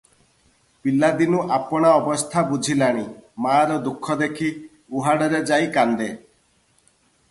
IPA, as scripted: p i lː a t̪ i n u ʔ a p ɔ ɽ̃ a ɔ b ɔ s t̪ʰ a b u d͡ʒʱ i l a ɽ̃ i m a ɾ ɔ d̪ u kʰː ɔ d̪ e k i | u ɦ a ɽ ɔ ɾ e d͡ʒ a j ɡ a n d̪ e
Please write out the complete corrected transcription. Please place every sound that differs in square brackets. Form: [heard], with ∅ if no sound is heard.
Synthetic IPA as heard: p i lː a [d̪] i n u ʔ a p ɔ ɽ̃ a ɔ b ɔ s t̪ʰ a b u d͡ʒʱ i l a ɽ̃ i m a ɾ ɔ d̪ u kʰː ɔ d̪ e [kʰ] i | u ɦ a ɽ ɔ ɾ e d͡ʒ a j [k] a n d̪ e